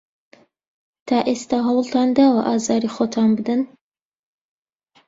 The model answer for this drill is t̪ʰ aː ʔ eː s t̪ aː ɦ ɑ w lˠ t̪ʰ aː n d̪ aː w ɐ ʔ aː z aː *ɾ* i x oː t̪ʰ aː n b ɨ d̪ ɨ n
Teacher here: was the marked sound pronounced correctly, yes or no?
yes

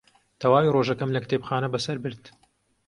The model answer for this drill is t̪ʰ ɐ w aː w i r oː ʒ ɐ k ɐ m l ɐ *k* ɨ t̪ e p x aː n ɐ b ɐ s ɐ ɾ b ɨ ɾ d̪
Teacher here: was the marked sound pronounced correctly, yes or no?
yes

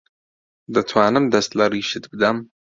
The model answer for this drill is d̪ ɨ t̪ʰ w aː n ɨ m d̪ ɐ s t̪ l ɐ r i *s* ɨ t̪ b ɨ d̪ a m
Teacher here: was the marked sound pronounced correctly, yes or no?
no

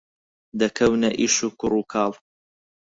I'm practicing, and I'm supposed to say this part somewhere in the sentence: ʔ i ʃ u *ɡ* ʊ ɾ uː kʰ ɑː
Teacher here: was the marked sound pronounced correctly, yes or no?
no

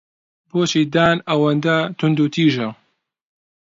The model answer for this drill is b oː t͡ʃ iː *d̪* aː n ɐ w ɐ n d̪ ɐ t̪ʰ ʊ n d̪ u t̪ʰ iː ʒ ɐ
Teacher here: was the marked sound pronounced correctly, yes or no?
yes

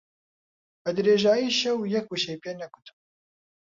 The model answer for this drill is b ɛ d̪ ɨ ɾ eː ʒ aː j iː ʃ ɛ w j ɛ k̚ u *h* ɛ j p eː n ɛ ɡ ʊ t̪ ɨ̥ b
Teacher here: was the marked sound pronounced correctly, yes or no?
no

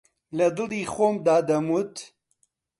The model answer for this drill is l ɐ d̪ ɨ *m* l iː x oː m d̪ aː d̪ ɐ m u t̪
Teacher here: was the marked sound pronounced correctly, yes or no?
no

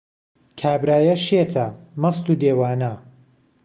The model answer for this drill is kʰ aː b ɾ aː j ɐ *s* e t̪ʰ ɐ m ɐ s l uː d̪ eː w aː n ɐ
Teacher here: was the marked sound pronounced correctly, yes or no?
no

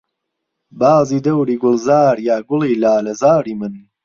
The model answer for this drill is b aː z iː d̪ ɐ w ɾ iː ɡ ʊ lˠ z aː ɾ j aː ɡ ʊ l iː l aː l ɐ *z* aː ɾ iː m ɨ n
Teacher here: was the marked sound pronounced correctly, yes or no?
yes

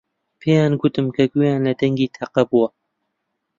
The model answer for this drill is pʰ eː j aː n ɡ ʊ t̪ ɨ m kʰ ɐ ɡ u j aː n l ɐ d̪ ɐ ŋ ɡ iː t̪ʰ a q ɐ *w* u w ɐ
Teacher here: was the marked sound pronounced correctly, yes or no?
no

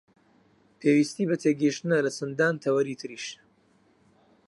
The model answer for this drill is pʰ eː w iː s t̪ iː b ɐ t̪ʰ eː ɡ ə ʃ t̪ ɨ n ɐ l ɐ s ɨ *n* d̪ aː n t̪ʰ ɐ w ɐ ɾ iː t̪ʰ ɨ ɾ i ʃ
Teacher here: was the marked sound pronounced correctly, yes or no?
yes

